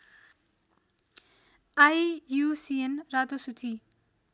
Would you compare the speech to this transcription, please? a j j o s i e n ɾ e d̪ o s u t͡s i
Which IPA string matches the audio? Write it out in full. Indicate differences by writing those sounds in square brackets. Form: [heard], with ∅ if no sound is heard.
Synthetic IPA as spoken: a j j [u] s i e n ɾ [a] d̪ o s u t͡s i